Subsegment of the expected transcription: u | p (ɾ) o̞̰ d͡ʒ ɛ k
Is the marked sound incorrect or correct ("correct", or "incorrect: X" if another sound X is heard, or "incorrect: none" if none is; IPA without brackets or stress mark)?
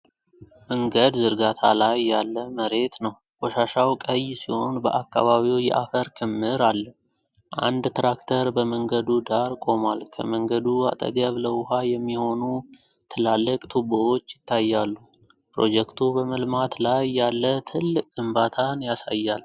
correct